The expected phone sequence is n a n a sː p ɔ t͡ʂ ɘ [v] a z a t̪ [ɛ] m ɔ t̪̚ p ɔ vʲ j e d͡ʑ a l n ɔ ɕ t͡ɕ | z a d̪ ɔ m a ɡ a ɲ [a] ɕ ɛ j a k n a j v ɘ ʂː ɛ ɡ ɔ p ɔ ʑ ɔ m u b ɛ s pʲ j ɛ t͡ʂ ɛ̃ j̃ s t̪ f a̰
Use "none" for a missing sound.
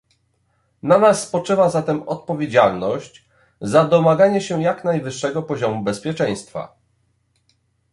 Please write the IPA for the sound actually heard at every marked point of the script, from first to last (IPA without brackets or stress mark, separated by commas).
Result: v, ɛ, ɛ